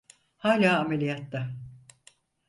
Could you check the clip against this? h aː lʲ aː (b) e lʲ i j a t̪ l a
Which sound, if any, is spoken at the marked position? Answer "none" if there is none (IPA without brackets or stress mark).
m